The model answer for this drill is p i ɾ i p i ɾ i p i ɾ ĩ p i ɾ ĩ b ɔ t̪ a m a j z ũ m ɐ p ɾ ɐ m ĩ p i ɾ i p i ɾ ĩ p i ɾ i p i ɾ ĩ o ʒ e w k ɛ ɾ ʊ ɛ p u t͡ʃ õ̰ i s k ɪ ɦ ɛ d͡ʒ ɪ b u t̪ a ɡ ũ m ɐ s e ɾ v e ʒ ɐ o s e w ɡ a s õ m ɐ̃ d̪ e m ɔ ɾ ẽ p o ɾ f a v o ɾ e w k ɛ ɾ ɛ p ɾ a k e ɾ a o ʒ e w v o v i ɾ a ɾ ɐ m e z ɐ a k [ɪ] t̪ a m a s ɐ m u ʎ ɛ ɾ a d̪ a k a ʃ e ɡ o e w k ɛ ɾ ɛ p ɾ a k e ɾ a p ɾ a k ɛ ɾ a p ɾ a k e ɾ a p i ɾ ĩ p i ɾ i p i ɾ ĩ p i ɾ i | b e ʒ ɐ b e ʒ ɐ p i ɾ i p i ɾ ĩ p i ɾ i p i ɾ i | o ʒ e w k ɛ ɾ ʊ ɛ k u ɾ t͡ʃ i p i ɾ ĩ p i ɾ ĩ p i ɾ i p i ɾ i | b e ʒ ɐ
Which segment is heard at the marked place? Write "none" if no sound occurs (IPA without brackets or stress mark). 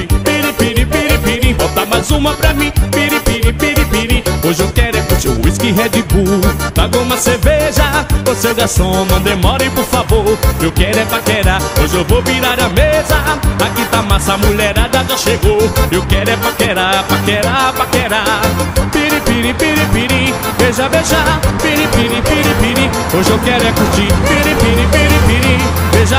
i